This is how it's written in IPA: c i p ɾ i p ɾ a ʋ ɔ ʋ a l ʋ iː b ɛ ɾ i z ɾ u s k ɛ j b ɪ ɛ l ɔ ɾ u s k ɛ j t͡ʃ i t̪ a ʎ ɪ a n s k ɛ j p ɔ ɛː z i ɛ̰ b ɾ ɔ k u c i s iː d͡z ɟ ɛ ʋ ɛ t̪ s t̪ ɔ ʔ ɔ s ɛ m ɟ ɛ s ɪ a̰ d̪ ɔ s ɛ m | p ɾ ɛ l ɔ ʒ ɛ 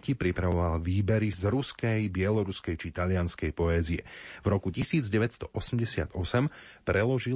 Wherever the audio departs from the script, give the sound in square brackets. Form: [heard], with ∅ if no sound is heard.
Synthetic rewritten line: c i p ɾ i p ɾ a ʋ ɔ ʋ a l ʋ iː b ɛ ɾ i z ɾ u s k ɛ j b ɪ ɛ l ɔ ɾ u s k ɛ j t͡ʃ i t̪ a ʎ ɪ a n s k ɛ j p ɔ ɛː z i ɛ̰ [v] ɾ ɔ k u c i s iː d͡z ɟ ɛ ʋ ɛ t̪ s t̪ ɔ ʔ ɔ s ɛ m ɟ ɛ s ɪ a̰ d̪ ɔ s ɛ m | p ɾ ɛ l ɔ ʒ [i]